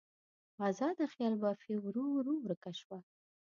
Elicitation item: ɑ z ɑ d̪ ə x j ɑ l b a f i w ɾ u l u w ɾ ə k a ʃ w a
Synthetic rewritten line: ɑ z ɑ d̪ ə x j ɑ l b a f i w ɾ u ɾ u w ɾ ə k a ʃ w a